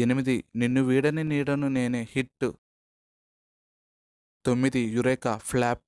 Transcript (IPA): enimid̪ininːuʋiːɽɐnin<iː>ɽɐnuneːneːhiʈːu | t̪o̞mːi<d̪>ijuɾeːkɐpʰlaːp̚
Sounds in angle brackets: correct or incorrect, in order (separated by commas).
correct, correct